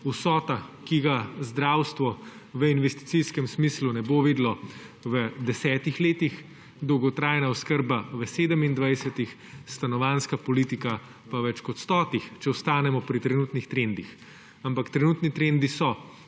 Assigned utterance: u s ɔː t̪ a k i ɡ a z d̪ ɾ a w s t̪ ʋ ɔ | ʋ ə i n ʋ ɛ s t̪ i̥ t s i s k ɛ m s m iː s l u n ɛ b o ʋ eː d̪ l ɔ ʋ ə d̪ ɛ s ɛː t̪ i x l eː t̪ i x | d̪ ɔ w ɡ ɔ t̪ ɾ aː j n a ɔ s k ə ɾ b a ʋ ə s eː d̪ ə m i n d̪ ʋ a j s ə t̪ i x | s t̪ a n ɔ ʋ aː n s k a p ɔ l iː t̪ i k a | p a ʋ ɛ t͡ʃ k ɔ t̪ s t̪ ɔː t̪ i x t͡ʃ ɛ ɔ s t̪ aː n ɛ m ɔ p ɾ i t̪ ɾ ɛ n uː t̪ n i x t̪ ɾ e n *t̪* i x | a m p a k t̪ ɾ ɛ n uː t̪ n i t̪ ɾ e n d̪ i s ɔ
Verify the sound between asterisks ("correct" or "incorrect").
incorrect